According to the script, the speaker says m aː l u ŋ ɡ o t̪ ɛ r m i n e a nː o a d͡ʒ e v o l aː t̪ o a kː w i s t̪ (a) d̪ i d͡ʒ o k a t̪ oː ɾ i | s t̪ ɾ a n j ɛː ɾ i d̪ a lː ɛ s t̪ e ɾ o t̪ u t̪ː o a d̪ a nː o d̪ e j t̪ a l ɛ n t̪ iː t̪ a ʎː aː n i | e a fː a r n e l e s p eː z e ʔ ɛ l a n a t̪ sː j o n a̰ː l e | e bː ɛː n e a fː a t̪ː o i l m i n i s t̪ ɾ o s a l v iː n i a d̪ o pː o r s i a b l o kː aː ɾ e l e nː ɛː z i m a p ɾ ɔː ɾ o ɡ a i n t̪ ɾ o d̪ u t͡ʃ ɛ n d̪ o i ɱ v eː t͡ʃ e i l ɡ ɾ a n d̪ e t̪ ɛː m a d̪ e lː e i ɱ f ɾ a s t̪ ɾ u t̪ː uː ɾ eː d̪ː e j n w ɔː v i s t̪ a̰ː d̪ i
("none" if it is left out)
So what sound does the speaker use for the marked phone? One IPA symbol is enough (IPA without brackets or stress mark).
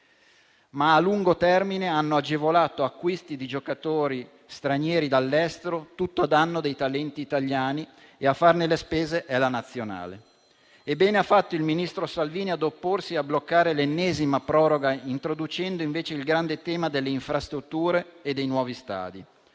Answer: i